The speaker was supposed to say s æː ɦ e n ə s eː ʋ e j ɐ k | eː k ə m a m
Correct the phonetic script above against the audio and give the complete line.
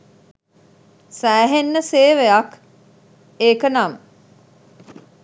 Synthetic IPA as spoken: s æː ɦ e nː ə s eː ʋ e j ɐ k | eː k ə n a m